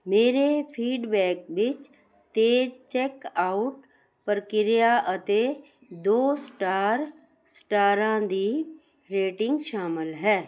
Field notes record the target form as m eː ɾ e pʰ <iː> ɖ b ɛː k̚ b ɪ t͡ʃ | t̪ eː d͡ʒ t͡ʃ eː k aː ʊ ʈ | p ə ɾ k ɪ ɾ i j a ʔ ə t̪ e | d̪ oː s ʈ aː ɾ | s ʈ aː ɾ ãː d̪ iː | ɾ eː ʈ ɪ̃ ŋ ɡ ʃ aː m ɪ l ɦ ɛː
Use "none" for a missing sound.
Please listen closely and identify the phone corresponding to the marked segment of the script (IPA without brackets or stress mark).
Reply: iː